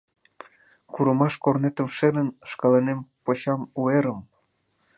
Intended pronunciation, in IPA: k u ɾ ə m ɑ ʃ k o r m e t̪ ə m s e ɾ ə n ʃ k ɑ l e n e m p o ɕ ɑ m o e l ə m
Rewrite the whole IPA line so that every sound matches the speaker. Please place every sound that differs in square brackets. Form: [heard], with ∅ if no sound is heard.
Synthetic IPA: k u ɾ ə m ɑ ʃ k o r [n] e t̪ ə m [ʃ] e ɾ ə n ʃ k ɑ l e n e m p o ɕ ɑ m [u] e [ɾ] ə m